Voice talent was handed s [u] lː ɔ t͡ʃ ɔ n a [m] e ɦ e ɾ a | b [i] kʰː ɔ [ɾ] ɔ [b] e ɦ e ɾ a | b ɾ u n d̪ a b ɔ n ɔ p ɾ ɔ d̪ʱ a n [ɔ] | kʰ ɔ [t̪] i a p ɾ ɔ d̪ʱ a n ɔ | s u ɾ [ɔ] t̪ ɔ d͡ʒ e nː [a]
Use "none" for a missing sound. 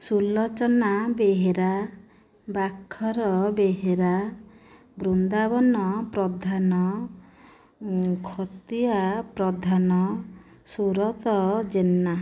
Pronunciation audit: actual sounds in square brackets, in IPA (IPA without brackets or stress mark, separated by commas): u, b, a, ɾ, b, ɔ, t̪, ɔ, a